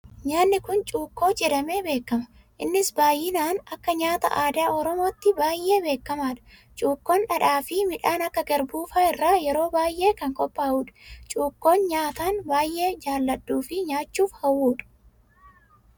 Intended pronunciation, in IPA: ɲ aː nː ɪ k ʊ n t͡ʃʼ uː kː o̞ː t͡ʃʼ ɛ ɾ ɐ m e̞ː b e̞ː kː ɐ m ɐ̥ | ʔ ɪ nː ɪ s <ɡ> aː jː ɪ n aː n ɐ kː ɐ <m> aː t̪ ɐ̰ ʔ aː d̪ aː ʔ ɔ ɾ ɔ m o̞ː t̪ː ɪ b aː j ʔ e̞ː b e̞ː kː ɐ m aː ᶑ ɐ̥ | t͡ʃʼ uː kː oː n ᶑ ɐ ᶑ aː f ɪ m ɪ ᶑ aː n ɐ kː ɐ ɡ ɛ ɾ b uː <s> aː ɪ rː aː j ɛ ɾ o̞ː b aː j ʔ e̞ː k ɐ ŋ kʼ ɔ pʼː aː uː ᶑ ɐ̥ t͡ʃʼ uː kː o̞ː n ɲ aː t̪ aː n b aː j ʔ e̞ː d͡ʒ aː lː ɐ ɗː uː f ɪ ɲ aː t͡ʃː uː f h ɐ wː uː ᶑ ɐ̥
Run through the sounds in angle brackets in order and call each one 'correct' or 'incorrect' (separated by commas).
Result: incorrect, incorrect, incorrect